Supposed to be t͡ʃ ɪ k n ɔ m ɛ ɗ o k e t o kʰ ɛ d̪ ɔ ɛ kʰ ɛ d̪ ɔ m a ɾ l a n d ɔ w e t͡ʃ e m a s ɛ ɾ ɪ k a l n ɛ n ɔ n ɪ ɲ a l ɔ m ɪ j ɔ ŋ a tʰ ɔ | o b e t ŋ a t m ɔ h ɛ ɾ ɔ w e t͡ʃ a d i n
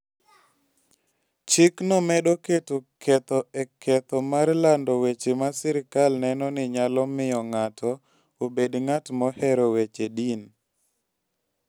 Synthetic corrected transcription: t͡ʃ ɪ k n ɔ m ɛ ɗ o k e t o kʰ ɛ t̪ ɔ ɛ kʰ ɛ t̪ ɔ m a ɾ l a n d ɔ w e t͡ʃ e m a s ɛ ɾ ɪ k a l n ɛ n ɔ n ɪ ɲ a l ɔ m ɪ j ɔ ŋ a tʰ ɔ | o b e d ŋ a t m ɔ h ɛ ɾ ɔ w e t͡ʃ e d i n

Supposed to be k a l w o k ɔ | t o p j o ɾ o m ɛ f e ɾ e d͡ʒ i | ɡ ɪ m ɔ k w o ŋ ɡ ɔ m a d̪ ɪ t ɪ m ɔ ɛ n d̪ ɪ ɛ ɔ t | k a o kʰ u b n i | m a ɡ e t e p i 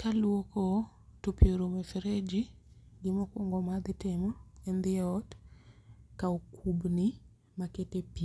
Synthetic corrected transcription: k a l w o k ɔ | t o p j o ɾ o m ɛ f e ɾ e d͡ʒ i | ɡ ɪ m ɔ k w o ŋ ɡ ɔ m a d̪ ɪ t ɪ m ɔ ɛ n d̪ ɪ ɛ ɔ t | k a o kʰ u b n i | m a k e t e p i

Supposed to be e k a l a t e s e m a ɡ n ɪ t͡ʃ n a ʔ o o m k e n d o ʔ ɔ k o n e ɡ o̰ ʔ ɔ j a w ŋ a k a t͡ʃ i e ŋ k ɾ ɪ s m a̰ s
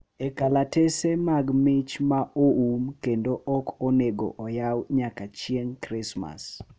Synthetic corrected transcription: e k a l a t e s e m a ɡ m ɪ t͡ʃ m a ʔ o u m k e n d o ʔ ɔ k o n e ɡ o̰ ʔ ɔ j a w ɲ a k a t͡ʃ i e ŋ k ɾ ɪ s m a̰ s

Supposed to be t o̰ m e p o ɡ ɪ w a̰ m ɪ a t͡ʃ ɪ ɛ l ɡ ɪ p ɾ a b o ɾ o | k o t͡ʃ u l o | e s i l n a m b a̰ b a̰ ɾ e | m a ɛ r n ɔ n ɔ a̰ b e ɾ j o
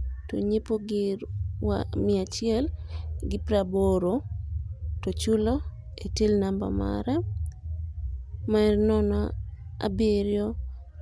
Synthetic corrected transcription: t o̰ ɲ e p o ɡ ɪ w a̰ m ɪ a t͡ʃ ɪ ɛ l ɡ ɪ p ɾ a b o ɾ o | t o t͡ʃ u l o | e t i l n a m b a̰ m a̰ ɾ a | m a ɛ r n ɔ n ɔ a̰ b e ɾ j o

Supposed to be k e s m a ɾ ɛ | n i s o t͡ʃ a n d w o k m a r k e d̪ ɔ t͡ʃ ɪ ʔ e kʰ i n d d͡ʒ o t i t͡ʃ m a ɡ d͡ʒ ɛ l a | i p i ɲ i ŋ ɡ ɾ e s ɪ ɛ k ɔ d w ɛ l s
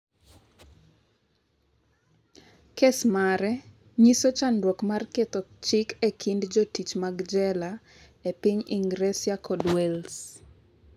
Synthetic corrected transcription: k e s m a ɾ ɛ | ɲ i s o t͡ʃ a n d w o k m a r k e t̪ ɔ t͡ʃ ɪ k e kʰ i n d d͡ʒ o t i t͡ʃ m a ɡ d͡ʒ ɛ l a | e p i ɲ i ŋ ɡ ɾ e s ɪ a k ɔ d w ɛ l s

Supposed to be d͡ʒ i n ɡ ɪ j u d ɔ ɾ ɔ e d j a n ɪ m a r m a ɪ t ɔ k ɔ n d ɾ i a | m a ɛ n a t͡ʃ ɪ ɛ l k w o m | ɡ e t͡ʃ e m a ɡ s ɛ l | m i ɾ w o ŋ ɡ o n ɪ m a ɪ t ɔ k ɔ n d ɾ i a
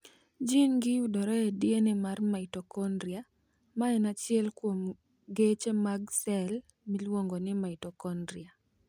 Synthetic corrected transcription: d͡ʒ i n ɡ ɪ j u d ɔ ɾ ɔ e d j e n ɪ m a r m a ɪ t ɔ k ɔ n d ɾ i a | m a ɛ n a t͡ʃ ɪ ɛ l k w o m | ɡ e t͡ʃ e m a ɡ s ɛ l | m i l w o ŋ ɡ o n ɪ m a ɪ t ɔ k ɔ n d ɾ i a

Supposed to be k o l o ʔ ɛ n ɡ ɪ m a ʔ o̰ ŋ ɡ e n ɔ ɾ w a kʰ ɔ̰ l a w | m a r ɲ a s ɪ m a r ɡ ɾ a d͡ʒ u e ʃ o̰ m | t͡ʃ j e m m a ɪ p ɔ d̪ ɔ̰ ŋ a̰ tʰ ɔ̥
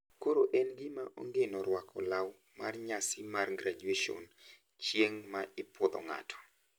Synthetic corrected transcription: k o ɾ o ʔ ɛ n ɡ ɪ m a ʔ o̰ ŋ ɡ e n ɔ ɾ w a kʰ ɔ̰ l a w | m a r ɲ a s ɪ m a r ɡ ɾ a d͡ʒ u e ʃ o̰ n | t͡ʃ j e ŋ m a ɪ p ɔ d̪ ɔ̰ ŋ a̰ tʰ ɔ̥

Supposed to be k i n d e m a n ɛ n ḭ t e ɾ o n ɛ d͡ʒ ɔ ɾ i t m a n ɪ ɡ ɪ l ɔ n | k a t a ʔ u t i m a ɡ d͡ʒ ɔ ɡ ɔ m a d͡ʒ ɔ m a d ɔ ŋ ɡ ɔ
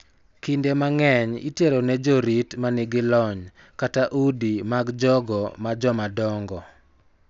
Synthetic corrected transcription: k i n d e m a ŋ ɛ ɲ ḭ t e ɾ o n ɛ d͡ʒ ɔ ɾ i t m a n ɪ ɡ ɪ l ɔ ɲ | k a t a ʔ u d i m a ɡ d͡ʒ ɔ ɡ ɔ m a d͡ʒ ɔ m a d ɔ ŋ ɡ ɔ

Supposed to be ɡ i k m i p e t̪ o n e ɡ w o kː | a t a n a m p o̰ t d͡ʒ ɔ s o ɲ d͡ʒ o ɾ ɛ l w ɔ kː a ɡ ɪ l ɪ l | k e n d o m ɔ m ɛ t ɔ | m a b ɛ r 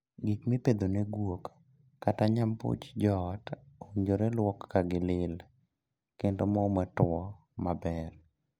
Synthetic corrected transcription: ɡ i k m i p e d̪ o n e ɡ w o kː | a t a ɲ a m p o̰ t͡ʃ d͡ʒ ɔ t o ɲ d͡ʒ o ɾ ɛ l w ɔ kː a ɡ ɪ l ɪ l | k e n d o m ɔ m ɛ t ɔ | m a b ɛ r

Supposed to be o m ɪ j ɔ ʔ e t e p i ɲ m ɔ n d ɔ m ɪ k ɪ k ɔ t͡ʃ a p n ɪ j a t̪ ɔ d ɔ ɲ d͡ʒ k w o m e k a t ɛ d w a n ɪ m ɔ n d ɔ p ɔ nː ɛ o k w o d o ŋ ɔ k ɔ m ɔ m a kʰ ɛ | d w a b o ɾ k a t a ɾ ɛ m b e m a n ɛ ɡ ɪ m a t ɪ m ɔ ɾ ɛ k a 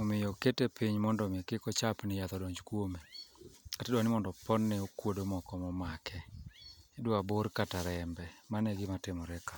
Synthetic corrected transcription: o m ɪ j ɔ k e t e p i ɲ m ɔ n d ɔ m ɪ k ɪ k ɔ t͡ʃ a p n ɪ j a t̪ ɔ d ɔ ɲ d͡ʒ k w o m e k a t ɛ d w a n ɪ m ɔ n d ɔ p ɔ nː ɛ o k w o d o m ɔ k ɔ m ɔ m a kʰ ɛ | d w a b o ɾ k a t a ɾ ɛ m b ɛ m a n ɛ ɡ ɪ m a t ɪ m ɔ ɾ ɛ k a

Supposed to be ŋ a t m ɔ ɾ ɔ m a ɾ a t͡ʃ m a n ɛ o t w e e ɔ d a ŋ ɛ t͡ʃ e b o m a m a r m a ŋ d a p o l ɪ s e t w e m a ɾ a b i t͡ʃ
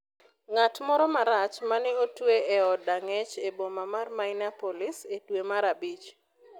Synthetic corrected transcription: ŋ a t m ɔ ɾ ɔ m a ɾ a t͡ʃ m a n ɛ o t w e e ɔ d a ŋ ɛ t͡ʃ e b o m a m a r m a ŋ n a p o l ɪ s e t w e m a ɾ a b i t͡ʃ

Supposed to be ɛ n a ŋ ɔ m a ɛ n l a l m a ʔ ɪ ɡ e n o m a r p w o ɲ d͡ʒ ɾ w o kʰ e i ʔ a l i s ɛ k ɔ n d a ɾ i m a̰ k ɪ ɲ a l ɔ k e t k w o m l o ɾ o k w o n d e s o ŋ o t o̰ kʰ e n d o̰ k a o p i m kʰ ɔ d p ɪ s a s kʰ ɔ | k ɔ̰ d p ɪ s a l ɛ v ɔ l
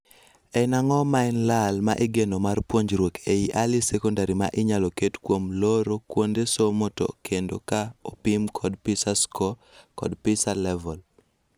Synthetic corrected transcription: ɛ n a ŋ ɔ m a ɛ n l a l m a ʔ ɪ ɡ e n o m a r p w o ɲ d͡ʒ ɾ w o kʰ e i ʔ a l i s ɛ k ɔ n d a ɾ i m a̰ ʔ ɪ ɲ a l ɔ k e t k w o m l o ɾ o k w o n d e s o m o t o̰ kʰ e n d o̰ k a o p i m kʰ ɔ d p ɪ s a s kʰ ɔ | k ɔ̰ d p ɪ s a l ɛ v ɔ l

